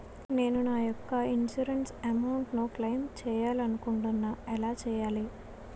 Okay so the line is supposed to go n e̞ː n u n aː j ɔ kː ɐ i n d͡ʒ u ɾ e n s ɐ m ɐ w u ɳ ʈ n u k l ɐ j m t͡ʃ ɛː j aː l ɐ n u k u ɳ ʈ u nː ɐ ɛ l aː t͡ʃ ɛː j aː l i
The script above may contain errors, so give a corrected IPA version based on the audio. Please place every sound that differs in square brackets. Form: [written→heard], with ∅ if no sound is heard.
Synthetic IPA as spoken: n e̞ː n u n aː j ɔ kː ɐ i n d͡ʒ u ɾ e n s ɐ m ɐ w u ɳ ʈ n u k l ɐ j m t͡ʃ ɛː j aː l ɐ n u k u ɳ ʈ u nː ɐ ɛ l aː t͡ʃ ɛː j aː l i